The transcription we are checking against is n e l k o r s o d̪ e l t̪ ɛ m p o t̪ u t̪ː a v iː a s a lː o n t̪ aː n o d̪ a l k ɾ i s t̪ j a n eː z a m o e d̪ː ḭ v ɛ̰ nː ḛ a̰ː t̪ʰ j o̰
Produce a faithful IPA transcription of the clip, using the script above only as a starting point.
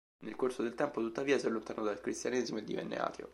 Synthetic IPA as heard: n e l k o r s o d̪ e l t̪ ɛ m p o t̪ u t̪ː a v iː a s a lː o n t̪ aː n o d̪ a l k ɾ i s t̪ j a n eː z i m o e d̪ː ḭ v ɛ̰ nː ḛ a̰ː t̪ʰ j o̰